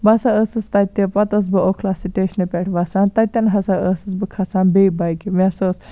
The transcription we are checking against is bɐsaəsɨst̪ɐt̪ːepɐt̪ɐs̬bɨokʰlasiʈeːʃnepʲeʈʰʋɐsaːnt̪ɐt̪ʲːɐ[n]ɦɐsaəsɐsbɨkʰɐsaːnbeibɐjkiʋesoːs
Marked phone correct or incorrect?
correct